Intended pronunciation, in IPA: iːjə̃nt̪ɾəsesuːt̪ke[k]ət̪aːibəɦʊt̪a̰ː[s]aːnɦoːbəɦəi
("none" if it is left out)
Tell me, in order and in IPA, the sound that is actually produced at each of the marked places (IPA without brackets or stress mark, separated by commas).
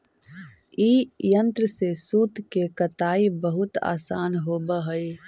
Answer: k, s